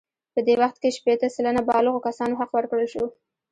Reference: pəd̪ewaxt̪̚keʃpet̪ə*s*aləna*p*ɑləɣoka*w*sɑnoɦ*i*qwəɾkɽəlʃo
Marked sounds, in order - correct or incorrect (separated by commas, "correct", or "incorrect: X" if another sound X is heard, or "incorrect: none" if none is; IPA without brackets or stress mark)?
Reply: correct, incorrect: b, incorrect: none, incorrect: a